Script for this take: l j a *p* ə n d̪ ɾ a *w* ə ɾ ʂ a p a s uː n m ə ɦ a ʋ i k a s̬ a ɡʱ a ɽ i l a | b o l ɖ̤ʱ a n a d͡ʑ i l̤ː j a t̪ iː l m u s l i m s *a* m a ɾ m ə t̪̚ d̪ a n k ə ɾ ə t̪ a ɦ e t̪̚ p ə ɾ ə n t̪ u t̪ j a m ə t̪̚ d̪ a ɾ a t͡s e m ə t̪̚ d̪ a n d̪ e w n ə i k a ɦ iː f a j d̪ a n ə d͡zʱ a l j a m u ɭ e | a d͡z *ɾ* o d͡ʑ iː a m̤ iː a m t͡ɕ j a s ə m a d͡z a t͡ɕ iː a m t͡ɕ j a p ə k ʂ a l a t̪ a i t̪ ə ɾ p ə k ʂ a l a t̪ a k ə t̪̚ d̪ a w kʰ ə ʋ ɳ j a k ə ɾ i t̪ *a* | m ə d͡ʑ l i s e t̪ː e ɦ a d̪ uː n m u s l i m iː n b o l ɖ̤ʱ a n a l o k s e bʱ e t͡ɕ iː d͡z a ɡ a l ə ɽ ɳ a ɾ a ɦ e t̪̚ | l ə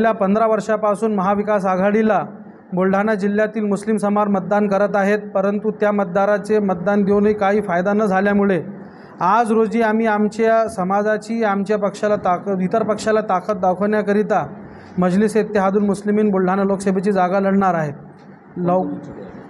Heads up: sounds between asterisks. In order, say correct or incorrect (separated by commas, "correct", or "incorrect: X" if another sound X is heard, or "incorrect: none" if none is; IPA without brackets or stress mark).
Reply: correct, incorrect: ʋ, incorrect: ə, correct, correct